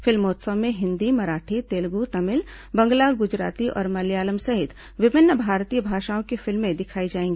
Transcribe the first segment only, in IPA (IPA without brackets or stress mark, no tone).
f